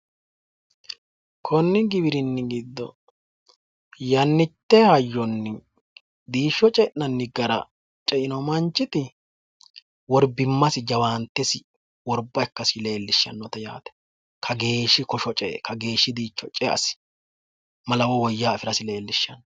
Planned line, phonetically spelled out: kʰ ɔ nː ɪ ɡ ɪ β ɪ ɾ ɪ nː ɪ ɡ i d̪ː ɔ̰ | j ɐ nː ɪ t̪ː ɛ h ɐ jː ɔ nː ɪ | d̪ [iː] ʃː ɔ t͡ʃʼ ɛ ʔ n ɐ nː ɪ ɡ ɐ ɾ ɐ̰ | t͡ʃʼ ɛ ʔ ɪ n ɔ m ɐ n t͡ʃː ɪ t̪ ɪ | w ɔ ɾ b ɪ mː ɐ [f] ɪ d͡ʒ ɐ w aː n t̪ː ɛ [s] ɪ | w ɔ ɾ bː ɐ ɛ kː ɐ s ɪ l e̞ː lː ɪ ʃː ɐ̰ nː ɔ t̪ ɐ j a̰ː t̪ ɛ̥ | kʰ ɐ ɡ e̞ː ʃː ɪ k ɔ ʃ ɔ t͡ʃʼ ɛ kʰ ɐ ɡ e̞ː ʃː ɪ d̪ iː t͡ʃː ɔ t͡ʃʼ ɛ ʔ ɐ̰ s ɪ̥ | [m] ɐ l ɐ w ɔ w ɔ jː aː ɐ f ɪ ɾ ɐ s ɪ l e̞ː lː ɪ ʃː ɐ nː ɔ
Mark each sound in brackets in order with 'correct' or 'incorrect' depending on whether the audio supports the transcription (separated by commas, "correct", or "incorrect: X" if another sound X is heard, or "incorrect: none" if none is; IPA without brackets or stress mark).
correct, incorrect: s, correct, correct